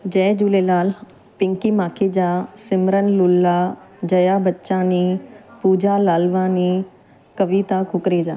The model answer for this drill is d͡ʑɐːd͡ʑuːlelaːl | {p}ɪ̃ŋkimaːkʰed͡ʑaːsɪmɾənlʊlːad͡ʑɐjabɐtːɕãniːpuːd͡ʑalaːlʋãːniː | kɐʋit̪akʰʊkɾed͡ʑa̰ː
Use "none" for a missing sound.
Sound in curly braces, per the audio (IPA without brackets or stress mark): p